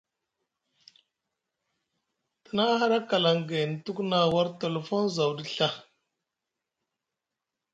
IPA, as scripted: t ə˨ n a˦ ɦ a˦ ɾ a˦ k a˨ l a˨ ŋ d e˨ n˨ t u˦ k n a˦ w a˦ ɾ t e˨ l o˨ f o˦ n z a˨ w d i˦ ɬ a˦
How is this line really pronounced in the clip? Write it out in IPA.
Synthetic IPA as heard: t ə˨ n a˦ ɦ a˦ ɾ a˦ k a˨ l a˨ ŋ ɡ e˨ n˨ t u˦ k n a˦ w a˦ ɾ t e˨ l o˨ f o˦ n z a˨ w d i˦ ɬ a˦